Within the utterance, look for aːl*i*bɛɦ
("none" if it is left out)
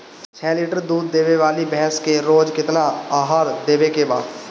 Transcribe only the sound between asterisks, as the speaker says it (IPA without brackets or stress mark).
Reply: i